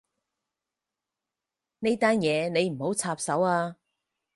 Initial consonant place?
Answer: alveolar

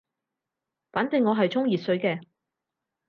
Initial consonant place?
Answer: labial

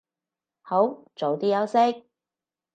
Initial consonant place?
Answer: glottal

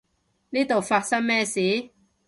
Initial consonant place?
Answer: alveolar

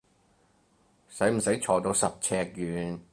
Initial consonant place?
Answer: alveolar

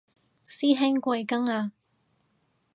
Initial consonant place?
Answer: alveolar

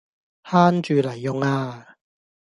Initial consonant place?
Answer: glottal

